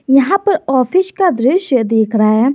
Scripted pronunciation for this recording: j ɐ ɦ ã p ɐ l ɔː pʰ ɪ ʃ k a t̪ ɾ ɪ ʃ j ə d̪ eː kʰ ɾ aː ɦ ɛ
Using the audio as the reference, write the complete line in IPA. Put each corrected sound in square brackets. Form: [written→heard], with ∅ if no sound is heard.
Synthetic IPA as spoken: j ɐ ɦ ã p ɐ [l→ɾ] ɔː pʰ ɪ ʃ k a [t̪→d̪] ɾ ɪ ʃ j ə d̪ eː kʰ ɾ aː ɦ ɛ

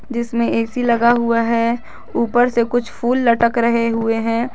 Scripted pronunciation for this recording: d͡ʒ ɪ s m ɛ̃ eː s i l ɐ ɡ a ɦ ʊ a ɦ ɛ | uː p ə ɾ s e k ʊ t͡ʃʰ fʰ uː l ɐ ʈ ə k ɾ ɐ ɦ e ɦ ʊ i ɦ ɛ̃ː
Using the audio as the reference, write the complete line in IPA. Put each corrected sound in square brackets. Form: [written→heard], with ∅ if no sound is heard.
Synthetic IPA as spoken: d͡ʒ ɪ s m [ɛ̃→ẽ] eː s i l ɐ ɡ a ɦ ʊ a ɦ ɛ | uː p ə ɾ s e k ʊ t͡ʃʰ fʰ uː [l→lː] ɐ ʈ ə k ɾ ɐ ɦ e ɦ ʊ [i→e] ɦ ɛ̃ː

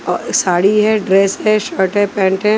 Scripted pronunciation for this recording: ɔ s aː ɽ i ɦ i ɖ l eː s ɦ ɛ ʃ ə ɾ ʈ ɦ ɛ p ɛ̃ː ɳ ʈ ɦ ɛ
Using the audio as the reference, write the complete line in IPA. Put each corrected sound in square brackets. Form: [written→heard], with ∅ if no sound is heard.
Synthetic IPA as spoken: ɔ s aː ɽ i ɦ [i→ɛ] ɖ [l→ɾ] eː s ɦ ɛ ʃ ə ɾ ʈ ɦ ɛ p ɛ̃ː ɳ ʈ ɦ ɛ

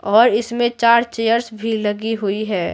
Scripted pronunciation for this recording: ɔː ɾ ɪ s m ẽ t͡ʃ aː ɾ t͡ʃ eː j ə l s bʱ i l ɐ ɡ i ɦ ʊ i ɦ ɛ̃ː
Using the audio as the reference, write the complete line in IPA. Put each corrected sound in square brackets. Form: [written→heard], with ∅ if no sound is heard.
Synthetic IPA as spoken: ɔː ɾ ɪ s m ẽ t͡ʃ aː ɾ t͡ʃ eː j ə [l→ɾ] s bʱ i l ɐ ɡ i ɦ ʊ i ɦ [ɛ̃ː→ɛː]

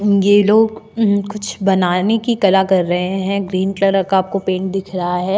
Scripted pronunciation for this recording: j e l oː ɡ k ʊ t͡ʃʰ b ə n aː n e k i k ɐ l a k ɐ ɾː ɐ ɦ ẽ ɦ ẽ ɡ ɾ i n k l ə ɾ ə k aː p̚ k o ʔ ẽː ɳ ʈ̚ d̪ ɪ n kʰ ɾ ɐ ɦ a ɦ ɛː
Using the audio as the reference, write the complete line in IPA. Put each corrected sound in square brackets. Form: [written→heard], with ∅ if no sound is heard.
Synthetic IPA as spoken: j e l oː ɡ k ʊ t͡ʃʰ b [ə→ɐ] n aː n e k i k ɐ l a k ɐ ɾː ɐ ɦ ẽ ɦ [ẽ→ɛ̃] ɡ ɾ [i→iː] n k l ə ɾ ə k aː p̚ k o [ʔ→p] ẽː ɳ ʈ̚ d̪ ɪ [n→∅] kʰ ɾ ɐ ɦ a ɦ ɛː

